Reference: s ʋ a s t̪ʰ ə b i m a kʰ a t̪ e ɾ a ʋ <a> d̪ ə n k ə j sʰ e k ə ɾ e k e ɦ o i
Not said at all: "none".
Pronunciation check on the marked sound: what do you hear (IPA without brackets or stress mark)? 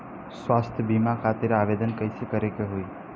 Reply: e